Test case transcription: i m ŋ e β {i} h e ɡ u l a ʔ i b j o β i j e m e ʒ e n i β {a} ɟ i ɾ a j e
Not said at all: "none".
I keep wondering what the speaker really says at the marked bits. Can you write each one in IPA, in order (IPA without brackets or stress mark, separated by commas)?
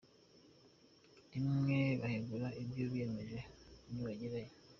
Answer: a, a